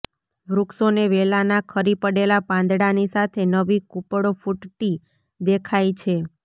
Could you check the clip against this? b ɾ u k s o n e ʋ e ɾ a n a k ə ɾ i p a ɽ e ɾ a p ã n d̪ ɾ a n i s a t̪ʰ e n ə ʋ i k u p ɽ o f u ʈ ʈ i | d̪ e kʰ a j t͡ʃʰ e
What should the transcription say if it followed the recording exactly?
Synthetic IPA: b ɾ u k s o n e ʋ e l a n a kʰ ə ɾ i p ə ɽ e l a p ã n d̪ ɽ a n i s a t̪ʰ e n ə ʋ i k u p ɽ o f u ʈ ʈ i | d̪ e kʰ a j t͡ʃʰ e